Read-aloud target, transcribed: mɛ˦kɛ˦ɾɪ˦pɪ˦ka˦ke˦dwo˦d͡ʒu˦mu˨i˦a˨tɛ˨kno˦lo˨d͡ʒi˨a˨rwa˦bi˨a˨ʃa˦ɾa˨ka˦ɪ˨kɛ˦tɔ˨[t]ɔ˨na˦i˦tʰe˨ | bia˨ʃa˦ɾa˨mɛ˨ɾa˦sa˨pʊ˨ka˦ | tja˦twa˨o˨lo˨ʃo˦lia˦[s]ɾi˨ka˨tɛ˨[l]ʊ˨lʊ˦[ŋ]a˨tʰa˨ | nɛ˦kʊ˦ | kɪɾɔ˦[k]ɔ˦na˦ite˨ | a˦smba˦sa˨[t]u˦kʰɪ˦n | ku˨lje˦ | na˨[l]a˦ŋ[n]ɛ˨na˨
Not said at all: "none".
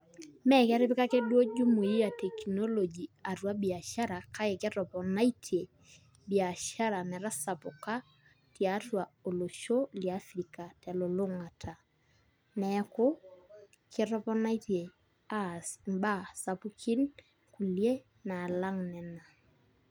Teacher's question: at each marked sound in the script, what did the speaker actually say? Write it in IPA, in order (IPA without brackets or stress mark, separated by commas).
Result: p, f, l, ŋ, p, p, l, n